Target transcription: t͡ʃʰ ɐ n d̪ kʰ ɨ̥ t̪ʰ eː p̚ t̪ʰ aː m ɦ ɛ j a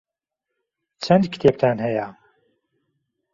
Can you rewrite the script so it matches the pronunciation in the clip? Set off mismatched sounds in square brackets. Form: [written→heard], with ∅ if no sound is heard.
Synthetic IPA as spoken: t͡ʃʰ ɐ n d̪ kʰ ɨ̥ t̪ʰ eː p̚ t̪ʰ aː [m→n] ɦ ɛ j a